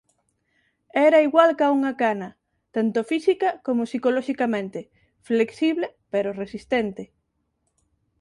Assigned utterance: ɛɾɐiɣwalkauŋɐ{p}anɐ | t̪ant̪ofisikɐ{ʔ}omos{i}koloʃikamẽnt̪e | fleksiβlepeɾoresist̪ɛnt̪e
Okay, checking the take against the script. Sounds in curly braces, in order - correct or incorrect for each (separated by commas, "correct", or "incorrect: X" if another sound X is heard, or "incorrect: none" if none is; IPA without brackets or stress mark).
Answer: incorrect: k, incorrect: k, correct